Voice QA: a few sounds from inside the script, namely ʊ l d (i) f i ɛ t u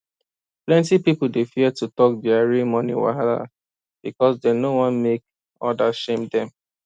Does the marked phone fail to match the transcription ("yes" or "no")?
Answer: yes